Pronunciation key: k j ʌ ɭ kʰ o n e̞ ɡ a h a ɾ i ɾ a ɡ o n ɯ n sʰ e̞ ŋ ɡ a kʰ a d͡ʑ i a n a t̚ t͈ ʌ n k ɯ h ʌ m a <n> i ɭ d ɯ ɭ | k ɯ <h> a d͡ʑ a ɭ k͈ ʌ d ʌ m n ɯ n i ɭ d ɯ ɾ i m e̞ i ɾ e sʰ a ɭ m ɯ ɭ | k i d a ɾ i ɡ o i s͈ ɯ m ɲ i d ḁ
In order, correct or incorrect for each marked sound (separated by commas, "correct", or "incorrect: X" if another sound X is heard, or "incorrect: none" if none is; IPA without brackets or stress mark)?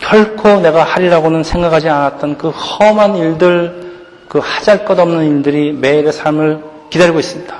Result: correct, correct